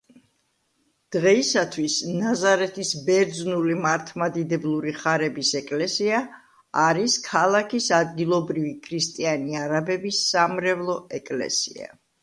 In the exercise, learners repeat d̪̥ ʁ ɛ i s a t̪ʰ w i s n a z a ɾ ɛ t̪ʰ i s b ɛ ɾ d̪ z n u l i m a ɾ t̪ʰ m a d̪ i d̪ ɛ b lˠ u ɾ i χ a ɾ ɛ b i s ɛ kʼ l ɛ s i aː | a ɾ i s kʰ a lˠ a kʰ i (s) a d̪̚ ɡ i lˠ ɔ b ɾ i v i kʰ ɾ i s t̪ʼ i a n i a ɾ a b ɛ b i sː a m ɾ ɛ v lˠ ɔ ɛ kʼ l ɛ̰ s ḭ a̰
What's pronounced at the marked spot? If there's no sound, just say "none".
s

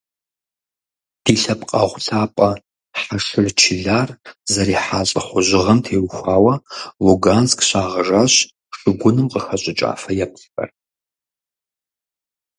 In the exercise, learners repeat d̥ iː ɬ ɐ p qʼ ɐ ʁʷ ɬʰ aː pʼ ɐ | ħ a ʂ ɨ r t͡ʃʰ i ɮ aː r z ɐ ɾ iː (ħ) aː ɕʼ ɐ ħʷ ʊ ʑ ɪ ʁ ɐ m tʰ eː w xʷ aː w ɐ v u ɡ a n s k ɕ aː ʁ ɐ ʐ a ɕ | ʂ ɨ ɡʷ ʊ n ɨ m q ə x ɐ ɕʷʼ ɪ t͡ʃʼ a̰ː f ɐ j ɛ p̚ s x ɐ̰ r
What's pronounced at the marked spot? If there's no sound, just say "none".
ħ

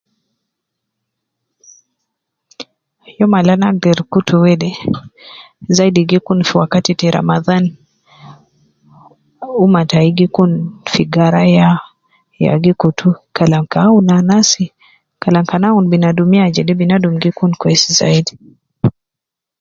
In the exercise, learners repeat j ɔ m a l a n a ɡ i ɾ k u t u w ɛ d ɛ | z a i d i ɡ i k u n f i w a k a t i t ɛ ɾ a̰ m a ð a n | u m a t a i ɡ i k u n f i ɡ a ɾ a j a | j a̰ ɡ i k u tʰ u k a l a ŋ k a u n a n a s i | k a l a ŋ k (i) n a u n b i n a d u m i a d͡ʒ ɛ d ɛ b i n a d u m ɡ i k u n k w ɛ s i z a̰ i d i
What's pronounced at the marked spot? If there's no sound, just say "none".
a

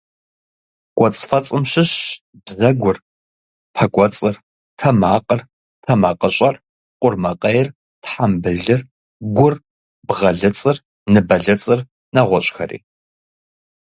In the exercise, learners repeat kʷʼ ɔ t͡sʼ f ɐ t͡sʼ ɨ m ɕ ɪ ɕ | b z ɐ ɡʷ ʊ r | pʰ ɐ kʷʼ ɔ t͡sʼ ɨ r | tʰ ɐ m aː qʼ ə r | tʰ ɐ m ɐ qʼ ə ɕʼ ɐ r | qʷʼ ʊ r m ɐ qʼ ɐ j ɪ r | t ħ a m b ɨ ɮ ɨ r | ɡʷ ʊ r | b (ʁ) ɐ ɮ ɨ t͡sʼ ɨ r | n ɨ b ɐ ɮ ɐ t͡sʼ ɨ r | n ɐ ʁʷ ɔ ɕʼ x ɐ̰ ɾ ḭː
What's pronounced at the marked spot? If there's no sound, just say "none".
ʁ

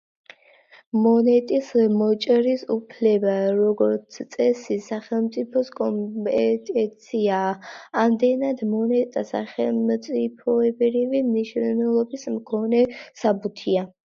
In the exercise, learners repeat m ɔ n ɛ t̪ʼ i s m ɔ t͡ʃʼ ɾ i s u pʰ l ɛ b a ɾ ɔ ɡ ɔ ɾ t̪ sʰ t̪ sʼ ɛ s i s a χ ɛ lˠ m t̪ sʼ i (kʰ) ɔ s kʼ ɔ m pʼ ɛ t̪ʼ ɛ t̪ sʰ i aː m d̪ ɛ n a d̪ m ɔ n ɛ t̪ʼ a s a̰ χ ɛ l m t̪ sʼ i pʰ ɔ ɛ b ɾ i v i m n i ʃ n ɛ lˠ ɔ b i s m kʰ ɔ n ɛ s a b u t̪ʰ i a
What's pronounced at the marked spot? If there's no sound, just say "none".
pʰ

